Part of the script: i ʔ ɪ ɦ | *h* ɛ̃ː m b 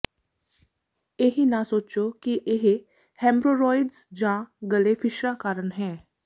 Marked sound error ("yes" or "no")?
no